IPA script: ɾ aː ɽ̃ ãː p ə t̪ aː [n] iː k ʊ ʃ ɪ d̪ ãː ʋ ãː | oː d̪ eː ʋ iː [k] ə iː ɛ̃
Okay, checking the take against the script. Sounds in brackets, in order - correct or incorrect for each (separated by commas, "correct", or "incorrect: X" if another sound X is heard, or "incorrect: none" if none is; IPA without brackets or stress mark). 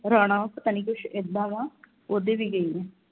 correct, incorrect: ɡ